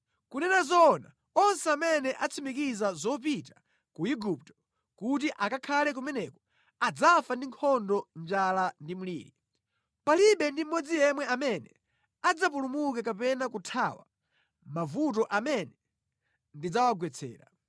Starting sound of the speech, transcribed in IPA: k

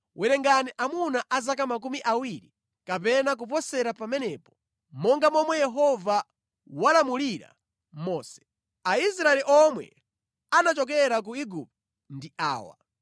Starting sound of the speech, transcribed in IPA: w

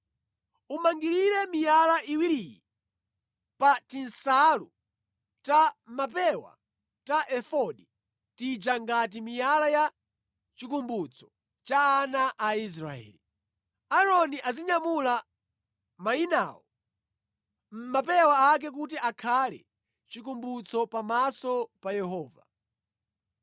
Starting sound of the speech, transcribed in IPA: u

